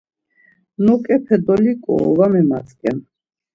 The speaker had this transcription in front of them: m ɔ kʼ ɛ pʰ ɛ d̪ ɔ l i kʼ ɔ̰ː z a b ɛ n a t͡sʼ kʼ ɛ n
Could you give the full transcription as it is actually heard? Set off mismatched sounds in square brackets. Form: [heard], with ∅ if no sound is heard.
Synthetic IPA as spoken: [n] ɔ kʼ ɛ pʰ ɛ d̪ ɔ l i kʼ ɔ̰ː [v] a [m] ɛ [m] a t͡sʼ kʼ ɛ n